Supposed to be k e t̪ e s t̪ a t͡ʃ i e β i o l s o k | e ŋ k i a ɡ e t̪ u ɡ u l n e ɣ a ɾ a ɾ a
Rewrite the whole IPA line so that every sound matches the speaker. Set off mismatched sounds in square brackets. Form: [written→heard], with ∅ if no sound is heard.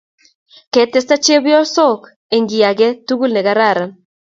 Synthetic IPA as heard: k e t̪ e s t̪ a t͡ʃ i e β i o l s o k | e ŋ [k→ɡ] i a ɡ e t̪ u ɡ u l n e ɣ a ɾ a ɾ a